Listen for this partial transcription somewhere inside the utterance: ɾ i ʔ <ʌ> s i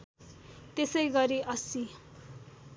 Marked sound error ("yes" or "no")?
no